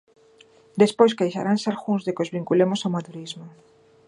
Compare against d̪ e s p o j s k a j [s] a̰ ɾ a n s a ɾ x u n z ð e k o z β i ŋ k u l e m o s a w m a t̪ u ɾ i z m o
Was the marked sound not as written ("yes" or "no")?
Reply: yes